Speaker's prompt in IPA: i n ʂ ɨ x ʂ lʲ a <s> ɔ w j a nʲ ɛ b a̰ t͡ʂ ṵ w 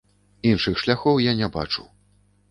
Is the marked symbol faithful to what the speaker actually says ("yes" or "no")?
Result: no